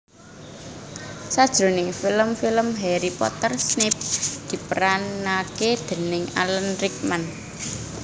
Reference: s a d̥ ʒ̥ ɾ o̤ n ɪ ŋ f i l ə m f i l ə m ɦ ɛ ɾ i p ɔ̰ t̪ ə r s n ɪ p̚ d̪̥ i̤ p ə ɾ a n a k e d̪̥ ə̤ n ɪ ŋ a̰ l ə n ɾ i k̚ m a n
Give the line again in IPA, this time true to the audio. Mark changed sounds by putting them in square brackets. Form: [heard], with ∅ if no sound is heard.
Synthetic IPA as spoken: s a d̥ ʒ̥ ɾ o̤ n ɪ ŋ f i l ə m f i l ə m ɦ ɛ ɾ i p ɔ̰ t̪ ə r s n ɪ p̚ d̪̥ i̤ p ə ɾ a n a k e d̪̥ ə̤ n ɪ ŋ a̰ l ə n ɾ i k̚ m a n